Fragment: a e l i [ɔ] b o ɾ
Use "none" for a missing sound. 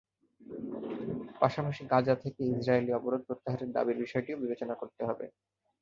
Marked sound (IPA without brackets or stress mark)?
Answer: ɔ